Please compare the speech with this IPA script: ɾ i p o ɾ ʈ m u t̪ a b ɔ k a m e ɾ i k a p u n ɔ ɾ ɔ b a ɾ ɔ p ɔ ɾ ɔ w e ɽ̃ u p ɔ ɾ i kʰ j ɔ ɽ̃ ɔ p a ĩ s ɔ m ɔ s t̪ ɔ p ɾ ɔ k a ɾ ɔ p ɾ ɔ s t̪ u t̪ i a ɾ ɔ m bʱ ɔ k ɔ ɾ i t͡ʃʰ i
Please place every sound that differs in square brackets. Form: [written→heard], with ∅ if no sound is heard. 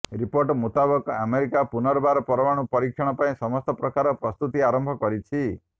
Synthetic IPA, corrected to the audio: ɾ i p o ɾ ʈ m u t̪ a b ɔ k a m e ɾ i k a p u n ɔ ɾ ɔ b a ɾ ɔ p ɔ ɾ ɔ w [e→a] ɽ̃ u p ɔ ɾ i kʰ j ɔ ɽ̃ ɔ p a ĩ s ɔ m ɔ s t̪ ɔ p ɾ ɔ k a ɾ ɔ p ɾ ɔ s t̪ u t̪ i a ɾ ɔ m bʱ ɔ k ɔ ɾ i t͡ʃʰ i